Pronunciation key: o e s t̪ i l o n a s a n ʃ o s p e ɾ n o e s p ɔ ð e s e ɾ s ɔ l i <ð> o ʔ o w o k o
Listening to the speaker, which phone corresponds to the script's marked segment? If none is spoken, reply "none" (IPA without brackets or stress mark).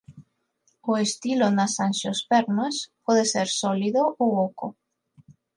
ð